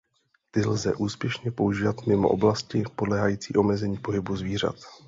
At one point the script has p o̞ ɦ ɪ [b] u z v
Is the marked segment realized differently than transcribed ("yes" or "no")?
no